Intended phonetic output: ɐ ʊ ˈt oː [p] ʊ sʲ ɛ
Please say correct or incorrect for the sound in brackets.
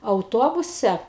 incorrect